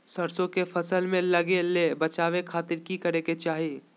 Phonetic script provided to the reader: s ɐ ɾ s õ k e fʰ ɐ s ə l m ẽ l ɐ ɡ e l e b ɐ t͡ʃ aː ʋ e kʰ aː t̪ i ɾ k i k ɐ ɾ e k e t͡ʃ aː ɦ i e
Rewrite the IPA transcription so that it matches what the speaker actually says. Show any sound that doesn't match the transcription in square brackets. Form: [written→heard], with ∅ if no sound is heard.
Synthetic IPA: s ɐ ɾ s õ k e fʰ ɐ s ə l m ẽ l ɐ ɡ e l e b ɐ t͡ʃ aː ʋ e kʰ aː t̪ [i→ɪ] ɾ k i k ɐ ɾ e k e t͡ʃ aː ɦ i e